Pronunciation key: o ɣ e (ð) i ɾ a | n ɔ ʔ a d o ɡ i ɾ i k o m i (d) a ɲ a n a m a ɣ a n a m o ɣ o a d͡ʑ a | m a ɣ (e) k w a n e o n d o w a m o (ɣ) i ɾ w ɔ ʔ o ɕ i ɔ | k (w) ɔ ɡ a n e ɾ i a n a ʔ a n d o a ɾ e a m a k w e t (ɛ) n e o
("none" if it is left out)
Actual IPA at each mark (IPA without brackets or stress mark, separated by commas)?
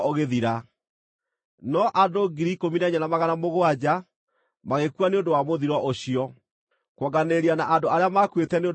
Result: ð, n, e, ð, w, ɛ